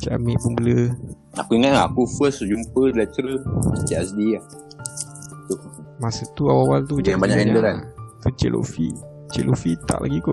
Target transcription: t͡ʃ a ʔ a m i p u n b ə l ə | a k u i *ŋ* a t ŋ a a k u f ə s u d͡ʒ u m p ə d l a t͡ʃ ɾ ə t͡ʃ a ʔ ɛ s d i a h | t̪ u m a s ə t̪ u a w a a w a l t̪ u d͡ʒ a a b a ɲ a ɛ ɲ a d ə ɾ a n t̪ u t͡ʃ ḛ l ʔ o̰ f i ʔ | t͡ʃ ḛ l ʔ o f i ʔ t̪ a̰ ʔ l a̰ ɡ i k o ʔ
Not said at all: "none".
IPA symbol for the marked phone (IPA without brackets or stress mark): ŋ